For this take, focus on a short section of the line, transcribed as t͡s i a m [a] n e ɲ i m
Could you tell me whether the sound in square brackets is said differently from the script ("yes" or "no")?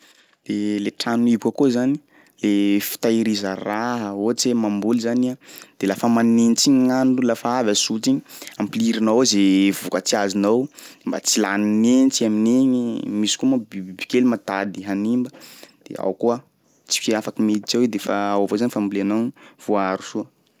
yes